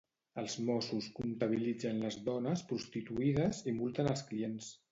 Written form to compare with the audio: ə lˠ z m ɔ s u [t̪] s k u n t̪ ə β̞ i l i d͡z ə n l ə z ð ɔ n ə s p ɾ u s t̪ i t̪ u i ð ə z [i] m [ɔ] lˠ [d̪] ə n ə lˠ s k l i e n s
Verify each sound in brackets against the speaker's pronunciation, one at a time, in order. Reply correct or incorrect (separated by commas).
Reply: incorrect, correct, incorrect, incorrect